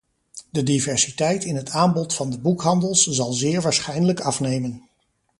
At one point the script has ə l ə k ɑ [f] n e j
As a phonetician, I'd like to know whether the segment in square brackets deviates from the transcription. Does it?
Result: no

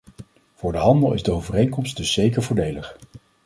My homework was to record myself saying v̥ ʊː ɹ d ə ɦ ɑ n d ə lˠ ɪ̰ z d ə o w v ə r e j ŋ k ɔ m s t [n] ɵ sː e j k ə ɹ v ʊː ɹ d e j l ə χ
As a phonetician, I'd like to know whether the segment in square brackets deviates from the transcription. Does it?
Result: yes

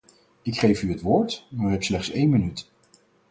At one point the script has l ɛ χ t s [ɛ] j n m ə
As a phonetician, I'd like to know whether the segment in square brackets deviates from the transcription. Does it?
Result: yes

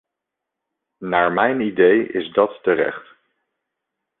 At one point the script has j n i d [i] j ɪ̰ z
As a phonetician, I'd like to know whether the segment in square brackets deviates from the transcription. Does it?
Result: yes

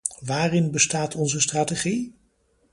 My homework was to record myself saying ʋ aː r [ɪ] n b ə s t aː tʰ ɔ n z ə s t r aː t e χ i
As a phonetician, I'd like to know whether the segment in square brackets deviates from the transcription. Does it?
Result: no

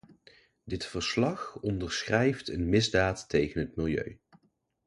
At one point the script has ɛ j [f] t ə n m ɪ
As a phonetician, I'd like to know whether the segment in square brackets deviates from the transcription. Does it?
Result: no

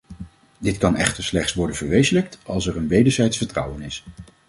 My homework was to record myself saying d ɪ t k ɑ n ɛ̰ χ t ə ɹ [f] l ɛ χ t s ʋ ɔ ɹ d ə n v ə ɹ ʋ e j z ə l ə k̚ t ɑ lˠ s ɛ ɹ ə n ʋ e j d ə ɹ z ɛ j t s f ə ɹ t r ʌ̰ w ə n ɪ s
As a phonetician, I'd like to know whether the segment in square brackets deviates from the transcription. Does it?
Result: yes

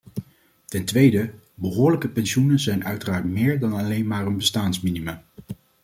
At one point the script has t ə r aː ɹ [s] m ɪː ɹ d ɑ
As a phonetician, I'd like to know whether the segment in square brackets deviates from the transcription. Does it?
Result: yes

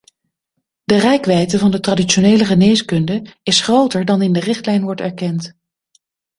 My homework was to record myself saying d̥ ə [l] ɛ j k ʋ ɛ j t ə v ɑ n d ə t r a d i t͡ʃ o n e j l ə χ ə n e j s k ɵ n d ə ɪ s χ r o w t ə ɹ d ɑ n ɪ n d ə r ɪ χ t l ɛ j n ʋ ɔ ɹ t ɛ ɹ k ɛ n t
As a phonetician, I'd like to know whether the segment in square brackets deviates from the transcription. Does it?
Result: yes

